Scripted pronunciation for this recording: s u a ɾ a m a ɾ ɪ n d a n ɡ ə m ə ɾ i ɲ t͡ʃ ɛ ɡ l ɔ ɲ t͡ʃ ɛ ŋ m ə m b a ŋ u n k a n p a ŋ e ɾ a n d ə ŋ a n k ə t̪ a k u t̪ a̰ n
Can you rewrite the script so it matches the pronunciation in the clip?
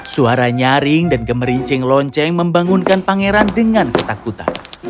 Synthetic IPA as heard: s u a ɾ a ɲ a ɾ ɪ ŋ d a n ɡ ə m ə ɾ i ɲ t͡ʃ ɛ ŋ l ɔ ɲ t͡ʃ ɛ ŋ m ə m b a ŋ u n k a n p a ŋ e ɾ a n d ə ŋ a n k ə t̪ a k u t̪ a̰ n